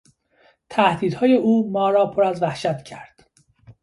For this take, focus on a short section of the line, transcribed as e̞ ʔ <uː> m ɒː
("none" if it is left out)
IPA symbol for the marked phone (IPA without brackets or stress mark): uː